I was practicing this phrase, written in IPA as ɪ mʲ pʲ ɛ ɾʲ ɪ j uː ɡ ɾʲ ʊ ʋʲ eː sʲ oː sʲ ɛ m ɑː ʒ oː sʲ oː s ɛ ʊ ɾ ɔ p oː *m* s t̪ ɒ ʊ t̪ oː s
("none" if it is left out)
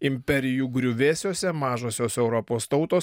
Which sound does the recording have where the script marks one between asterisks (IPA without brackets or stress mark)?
none